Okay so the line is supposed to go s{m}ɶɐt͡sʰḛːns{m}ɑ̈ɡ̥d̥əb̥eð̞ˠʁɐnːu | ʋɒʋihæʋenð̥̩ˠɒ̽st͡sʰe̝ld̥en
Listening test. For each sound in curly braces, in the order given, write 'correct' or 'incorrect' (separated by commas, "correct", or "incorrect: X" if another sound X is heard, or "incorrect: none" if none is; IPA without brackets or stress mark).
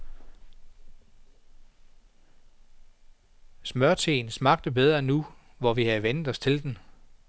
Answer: correct, correct